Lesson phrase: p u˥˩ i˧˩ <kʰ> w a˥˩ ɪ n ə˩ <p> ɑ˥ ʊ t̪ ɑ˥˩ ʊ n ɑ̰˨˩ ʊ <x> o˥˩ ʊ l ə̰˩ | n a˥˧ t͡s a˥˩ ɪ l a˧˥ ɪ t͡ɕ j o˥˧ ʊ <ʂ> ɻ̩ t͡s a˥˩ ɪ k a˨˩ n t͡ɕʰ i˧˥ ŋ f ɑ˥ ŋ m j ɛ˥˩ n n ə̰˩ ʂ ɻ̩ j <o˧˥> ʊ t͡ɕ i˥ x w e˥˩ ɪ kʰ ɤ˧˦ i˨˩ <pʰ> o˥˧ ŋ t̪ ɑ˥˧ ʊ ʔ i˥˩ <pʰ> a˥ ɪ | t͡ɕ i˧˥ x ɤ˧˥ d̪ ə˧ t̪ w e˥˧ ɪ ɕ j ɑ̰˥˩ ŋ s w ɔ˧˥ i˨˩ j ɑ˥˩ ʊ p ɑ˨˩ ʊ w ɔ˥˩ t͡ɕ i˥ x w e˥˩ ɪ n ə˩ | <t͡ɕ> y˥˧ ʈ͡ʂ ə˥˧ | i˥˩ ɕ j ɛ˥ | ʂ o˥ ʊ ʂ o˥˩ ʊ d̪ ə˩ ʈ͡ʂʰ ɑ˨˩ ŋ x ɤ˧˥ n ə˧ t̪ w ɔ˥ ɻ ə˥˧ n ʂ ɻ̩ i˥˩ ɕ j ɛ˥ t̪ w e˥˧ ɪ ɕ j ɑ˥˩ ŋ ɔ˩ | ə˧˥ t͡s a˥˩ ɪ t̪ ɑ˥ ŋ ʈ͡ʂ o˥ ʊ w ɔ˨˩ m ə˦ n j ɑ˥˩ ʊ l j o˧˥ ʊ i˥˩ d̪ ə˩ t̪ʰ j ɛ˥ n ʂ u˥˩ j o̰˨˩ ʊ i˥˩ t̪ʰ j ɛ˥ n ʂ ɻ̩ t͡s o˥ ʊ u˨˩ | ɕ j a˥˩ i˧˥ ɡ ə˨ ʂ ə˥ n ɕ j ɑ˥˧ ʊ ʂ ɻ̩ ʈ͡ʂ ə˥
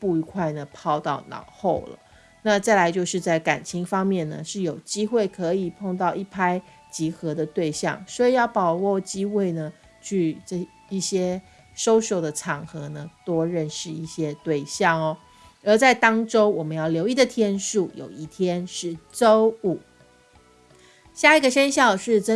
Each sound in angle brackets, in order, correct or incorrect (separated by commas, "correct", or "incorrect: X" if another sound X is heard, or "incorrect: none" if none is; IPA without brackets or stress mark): correct, incorrect: pʰ, correct, correct, incorrect: o˨˩, correct, correct, incorrect: t͡ɕʰ